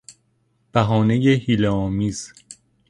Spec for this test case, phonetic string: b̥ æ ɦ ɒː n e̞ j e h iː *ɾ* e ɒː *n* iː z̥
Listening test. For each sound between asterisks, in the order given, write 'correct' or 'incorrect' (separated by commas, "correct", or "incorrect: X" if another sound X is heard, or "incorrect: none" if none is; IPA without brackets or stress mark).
incorrect: l, incorrect: m